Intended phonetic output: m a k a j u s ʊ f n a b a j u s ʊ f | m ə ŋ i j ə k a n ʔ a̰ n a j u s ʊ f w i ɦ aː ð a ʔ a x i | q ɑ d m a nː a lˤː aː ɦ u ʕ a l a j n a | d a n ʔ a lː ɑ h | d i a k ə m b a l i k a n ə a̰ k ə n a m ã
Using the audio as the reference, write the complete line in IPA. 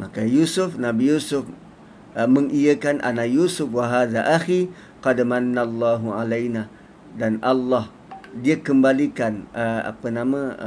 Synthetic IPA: m a k a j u s ʊ f n a b i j u s ʊ f | m ə ŋ i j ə k a n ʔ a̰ n a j u s ʊ f w a ɦ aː ð a ʔ a x i | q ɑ d m a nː a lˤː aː ɦ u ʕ a l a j n a | d a n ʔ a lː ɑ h | d i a k ə m b a l i k a n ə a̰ p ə n a m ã